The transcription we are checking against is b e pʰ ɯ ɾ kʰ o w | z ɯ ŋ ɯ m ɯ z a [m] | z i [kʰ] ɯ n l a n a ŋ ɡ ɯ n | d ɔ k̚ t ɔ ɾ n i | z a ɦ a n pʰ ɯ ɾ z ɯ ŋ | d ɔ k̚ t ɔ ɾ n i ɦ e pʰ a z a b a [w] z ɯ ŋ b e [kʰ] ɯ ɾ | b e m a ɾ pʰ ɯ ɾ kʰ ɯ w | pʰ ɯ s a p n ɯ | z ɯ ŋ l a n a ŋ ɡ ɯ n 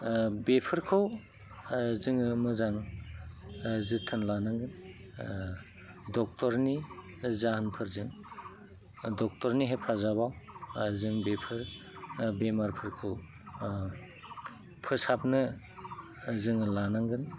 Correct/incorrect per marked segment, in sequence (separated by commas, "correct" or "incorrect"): incorrect, incorrect, correct, incorrect